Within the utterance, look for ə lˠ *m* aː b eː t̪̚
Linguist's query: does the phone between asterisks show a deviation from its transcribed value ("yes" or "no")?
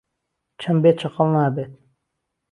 yes